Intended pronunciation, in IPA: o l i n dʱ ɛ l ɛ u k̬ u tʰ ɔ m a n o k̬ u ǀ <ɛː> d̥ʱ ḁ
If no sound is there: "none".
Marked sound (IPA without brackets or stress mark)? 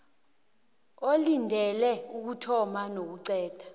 ɛː